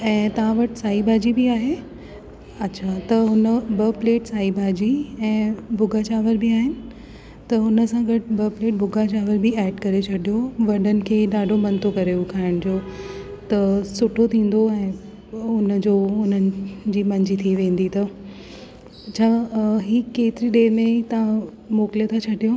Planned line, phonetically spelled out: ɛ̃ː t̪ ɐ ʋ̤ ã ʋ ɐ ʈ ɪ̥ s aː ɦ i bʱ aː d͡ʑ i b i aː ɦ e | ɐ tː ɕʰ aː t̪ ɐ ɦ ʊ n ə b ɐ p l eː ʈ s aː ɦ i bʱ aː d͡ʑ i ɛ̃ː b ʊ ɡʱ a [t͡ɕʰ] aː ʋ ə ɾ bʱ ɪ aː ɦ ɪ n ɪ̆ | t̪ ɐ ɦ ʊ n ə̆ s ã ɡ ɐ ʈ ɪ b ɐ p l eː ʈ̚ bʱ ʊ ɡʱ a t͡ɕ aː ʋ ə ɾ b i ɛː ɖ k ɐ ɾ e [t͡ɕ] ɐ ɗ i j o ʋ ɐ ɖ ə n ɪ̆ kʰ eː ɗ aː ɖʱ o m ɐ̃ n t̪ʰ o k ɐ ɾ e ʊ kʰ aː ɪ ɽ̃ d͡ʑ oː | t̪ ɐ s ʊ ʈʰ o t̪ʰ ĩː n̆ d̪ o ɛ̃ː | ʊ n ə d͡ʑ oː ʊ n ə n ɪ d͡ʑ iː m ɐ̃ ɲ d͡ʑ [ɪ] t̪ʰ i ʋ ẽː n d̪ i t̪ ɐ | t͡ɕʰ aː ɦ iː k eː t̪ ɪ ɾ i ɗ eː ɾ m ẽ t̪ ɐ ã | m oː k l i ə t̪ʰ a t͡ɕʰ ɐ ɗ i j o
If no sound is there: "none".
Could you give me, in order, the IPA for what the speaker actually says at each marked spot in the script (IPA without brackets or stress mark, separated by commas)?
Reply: t͡ɕ, t͡ɕʰ, i